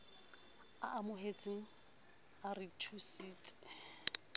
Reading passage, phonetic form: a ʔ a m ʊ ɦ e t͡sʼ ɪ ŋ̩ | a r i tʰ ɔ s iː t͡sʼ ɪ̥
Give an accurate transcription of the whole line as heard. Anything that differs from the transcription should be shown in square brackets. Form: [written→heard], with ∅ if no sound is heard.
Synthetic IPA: a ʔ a m ʊ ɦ e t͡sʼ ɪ ŋ̩ | a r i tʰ [ɔ→u] s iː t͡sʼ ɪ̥

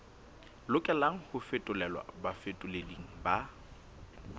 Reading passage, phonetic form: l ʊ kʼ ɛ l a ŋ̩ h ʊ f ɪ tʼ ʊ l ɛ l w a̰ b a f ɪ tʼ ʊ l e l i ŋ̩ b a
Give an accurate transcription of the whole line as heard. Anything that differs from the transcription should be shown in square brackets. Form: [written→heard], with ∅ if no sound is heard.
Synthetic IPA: l ʊ kʼ ɛ l a ŋ̩ h ʊ f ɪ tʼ ʊ l ɛ l w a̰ b a f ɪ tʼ ʊ l e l i ŋ̩ b a

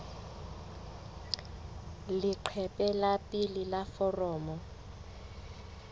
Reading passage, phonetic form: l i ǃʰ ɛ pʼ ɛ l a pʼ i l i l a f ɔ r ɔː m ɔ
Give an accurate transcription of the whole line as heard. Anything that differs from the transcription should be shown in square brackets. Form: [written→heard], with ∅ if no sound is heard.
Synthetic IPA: l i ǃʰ ɛ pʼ ɛ l a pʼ i l i l a f ɔ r ɔː m ɔ

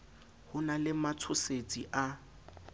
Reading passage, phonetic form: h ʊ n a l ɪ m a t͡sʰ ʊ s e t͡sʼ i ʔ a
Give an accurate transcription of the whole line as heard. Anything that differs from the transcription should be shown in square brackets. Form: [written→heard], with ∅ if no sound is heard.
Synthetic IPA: h ʊ n a l ɪ m a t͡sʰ ʊ s e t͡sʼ i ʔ a

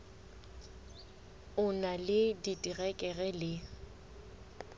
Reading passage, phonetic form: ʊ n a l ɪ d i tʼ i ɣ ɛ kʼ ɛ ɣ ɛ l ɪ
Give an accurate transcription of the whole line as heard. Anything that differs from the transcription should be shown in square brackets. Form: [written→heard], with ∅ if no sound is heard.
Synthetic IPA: ʊ n a l ɪ d i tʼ i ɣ ɛ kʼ ɛ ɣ ɛ l ɪ

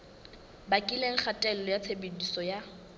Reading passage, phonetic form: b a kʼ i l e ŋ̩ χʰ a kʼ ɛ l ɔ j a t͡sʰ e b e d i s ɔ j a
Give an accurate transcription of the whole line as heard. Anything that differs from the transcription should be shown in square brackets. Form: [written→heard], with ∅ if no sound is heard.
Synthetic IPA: b a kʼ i l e ŋ̩ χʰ a [kʼ→tʼ] ɛ l ɔ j a t͡sʰ e b e d i s ɔ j a

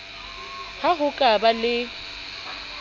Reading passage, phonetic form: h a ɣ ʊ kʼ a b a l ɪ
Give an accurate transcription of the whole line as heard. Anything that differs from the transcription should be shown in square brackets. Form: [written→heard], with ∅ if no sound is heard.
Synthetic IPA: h a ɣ ʊ kʼ a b a l ɪ

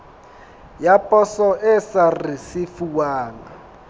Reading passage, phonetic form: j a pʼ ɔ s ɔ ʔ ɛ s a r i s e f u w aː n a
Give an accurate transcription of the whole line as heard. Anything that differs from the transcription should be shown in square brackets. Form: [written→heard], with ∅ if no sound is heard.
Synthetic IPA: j a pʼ ɔ s ɔ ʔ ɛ s a r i s [e→i] f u w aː [n→ŋ] a

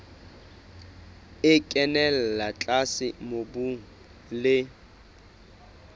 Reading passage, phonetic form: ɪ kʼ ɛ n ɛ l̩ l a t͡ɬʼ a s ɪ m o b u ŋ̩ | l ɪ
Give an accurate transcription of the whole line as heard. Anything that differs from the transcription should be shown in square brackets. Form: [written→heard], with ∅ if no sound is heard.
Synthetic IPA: ɪ kʼ ɛ n ɛ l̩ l a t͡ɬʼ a s ɪ m o b u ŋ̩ | l ɪ

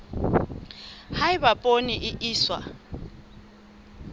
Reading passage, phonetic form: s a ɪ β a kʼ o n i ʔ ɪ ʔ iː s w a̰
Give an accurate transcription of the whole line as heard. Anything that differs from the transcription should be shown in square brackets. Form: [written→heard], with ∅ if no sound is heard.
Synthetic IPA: [s→h] a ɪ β a [kʼ→pʼ] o n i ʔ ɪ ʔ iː s w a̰

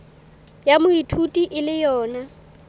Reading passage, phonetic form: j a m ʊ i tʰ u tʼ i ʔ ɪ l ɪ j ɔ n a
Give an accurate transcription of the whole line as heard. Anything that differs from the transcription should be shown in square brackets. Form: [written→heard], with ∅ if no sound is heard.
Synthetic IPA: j a m ʊ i tʰ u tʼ i ʔ ɪ l ɪ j [ɔ→ɔː] n a

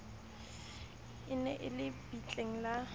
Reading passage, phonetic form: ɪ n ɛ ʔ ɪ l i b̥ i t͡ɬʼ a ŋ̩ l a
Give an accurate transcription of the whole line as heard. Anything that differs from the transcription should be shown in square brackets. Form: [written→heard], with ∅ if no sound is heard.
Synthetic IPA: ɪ n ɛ ʔ ɪ l [i→ɪ] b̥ i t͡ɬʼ [a→e] ŋ̩ l a

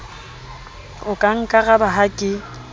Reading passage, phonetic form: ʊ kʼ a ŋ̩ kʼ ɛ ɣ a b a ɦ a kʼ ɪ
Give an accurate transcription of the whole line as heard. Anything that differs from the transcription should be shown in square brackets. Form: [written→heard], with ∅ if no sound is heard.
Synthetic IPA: ʊ kʼ a ŋ̩ kʼ [ɛ→a] ɣ a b a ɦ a kʼ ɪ

